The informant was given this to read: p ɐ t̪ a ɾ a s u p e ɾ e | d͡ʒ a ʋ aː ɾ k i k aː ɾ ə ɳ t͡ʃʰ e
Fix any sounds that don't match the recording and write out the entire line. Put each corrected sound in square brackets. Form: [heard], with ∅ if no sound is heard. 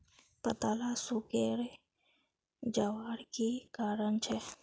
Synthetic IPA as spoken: p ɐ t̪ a [l] a s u [k] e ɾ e | d͡ʒ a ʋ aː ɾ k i k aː ɾ ə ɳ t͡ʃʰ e